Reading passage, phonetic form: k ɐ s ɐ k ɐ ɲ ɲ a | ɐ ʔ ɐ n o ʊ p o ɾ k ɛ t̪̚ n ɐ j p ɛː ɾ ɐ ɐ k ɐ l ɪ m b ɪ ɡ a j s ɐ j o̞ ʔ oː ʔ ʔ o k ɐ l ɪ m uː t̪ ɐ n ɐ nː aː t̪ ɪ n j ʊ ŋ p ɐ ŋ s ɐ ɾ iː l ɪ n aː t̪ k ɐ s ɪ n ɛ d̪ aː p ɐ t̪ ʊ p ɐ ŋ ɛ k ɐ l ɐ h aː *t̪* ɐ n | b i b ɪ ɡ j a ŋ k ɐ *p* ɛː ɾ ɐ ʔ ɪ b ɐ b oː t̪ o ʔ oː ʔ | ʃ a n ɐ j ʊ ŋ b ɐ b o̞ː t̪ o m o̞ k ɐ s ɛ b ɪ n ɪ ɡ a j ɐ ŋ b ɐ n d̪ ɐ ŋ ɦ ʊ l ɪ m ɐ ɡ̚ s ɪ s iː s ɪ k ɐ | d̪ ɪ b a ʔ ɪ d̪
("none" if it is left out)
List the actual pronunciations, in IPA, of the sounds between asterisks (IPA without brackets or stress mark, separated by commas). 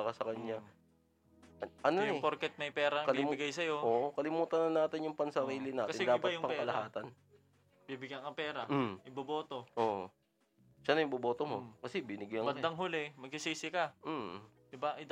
t̪, p